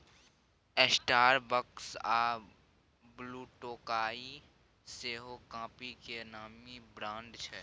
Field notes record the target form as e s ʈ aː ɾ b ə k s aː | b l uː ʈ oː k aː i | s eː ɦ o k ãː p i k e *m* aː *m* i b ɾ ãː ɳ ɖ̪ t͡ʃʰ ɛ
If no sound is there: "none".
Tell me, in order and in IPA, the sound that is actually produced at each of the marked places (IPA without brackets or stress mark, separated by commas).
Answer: n, m